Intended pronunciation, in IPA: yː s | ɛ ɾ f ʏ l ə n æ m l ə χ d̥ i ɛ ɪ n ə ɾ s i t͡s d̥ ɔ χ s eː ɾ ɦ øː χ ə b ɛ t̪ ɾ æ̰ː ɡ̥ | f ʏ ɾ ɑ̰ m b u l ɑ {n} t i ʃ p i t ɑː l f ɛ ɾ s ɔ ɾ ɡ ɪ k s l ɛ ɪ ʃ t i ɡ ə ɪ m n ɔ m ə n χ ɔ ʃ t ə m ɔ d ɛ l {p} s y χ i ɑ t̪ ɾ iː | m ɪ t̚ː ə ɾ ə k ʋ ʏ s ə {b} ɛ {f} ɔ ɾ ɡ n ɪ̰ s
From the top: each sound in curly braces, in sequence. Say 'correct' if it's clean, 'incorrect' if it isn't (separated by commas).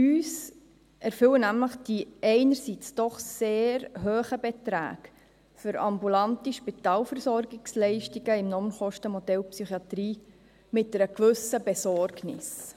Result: correct, correct, correct, incorrect